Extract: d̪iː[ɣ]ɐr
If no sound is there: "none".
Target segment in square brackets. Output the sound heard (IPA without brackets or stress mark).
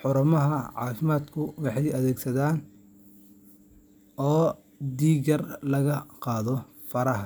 ɣ